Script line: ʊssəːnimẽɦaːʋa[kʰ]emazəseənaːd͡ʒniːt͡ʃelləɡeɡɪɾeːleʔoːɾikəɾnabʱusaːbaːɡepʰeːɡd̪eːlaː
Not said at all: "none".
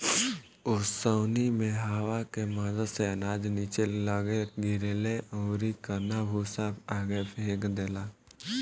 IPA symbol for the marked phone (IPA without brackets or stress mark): k